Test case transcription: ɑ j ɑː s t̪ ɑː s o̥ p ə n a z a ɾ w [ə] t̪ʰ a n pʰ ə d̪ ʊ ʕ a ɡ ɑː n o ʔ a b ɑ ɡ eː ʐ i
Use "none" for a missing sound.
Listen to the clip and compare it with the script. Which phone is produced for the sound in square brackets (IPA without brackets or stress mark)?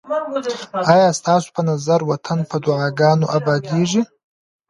a